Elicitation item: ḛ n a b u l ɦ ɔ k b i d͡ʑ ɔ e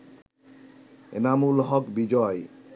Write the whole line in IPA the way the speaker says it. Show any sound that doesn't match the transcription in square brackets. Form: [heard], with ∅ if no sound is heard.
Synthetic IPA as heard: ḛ n a [m] u l ɦ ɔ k b i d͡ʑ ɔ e